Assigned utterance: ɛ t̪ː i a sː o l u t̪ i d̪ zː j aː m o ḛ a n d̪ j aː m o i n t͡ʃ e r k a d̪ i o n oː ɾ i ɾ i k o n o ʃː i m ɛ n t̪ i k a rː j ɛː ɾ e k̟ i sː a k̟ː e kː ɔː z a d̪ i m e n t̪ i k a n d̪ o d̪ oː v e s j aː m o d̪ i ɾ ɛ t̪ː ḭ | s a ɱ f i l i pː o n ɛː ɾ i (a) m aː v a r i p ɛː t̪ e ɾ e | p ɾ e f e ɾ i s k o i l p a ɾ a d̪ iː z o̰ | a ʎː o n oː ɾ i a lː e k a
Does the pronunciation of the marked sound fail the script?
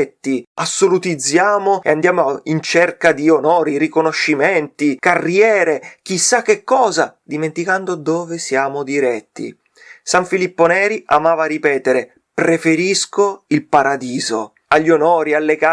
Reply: no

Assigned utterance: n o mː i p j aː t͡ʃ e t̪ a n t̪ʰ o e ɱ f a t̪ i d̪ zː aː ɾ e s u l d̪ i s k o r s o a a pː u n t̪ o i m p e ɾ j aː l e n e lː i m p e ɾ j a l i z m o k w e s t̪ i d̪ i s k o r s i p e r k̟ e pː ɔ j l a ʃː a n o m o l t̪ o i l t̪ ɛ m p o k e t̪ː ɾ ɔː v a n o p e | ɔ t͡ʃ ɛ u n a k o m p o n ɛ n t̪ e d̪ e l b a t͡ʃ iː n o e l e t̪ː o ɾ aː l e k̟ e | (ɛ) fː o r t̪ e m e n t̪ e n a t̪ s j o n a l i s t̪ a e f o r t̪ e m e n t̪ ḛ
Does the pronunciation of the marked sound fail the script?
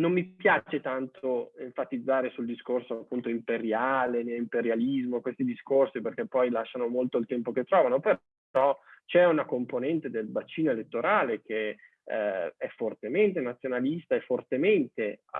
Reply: no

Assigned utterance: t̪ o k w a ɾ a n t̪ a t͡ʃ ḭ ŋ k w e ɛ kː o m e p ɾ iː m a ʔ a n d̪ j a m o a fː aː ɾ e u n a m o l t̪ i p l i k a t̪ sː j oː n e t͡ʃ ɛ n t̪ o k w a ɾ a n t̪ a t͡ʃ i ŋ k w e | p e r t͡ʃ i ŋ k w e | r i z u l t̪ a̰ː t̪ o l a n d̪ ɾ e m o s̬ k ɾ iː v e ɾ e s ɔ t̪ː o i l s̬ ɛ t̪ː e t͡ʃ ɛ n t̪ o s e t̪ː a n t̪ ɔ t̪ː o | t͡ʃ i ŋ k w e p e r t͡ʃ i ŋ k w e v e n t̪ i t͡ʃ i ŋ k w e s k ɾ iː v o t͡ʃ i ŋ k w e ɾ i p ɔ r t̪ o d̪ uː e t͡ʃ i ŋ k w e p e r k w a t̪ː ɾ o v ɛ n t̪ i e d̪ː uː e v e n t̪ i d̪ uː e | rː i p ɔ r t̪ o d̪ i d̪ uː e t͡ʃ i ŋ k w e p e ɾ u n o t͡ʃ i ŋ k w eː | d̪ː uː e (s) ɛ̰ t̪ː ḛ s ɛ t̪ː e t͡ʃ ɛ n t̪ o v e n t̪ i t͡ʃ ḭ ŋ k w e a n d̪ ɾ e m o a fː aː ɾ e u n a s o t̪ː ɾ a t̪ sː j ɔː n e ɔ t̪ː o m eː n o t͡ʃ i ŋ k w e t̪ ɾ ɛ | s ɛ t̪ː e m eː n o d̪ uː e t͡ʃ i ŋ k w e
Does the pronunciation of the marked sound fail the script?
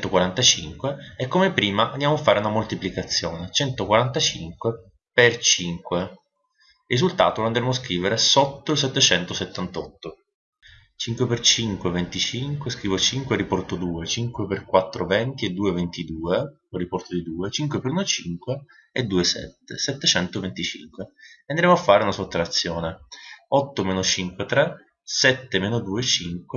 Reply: no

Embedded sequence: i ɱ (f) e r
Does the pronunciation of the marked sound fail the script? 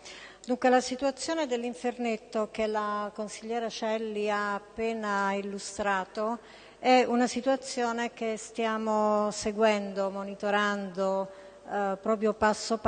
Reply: no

